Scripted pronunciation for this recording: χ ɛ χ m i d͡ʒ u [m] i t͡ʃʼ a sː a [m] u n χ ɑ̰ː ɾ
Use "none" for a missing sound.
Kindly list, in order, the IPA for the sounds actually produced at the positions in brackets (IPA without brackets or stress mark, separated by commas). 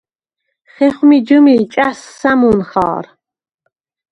m, m